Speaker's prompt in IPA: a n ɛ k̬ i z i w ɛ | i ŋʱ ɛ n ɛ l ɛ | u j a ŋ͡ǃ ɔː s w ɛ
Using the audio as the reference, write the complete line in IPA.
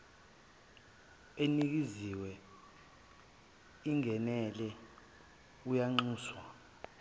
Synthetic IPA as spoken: e n i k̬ i z i w ɛ | i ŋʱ ɛ n ɛ l ɛ | u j a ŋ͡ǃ uː s w a